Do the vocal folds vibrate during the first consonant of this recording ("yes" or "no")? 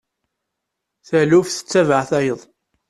no